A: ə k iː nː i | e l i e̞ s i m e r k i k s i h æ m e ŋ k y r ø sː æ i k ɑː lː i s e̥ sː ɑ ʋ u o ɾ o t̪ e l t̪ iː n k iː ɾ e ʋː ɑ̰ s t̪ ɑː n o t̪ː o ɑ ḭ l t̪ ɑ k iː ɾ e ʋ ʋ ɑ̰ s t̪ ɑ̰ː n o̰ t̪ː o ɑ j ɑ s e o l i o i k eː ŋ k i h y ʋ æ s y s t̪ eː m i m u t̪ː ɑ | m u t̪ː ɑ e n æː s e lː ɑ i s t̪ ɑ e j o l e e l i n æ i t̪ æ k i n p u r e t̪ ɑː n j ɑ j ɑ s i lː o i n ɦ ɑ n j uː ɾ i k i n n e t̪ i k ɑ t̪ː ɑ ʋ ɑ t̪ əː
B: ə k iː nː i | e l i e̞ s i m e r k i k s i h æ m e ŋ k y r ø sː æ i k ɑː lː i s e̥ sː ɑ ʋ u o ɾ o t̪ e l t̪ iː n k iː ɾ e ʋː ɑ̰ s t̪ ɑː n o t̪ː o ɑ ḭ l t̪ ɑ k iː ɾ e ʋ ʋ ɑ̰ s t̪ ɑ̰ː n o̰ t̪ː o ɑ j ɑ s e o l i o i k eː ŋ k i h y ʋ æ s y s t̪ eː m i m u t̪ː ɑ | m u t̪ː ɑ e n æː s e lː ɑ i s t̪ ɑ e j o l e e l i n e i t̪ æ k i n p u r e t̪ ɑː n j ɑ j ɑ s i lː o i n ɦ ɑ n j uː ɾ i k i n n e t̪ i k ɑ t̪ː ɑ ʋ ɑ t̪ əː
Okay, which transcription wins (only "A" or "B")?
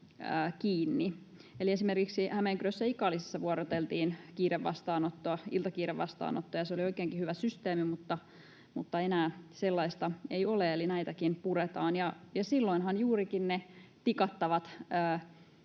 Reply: A